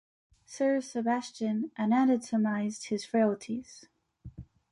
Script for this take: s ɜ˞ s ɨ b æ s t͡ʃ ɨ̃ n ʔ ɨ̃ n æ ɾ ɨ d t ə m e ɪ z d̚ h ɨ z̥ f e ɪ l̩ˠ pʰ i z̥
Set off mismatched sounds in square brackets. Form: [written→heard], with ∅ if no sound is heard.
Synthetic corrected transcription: s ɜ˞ s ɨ b æ s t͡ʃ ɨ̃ n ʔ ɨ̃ n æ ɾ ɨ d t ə m [e→a] ɪ z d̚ h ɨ z̥ f e ɪ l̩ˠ [pʰ→tʰ] i z̥

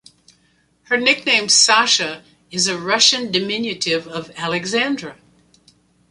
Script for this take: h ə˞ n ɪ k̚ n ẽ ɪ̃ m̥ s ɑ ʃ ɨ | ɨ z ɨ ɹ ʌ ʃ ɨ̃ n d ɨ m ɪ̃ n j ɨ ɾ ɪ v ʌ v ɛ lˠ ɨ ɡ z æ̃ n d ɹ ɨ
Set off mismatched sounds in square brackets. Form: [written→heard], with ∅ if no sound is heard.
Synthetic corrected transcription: h ə˞ n ɪ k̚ n ẽ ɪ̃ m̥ s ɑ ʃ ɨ | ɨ z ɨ ɹ ʌ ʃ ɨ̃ n d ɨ m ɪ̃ n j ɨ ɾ ɪ v ʌ v [ɛ→æ] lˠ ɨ ɡ z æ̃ n d ɹ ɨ

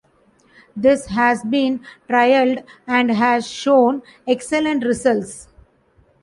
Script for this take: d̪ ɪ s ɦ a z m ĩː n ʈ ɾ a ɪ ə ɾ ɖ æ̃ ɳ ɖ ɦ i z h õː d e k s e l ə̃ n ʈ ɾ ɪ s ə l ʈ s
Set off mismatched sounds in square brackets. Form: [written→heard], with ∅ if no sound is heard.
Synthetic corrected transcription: d̪ ɪ s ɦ [a→æ] z [m→b] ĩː n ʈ ɾ a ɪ ə [ɾ→l] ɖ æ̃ ɳ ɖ ɦ [i→æ] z [h→ʃ] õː [d→n] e k s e l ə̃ [n→ɳ] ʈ ɾ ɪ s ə l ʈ s

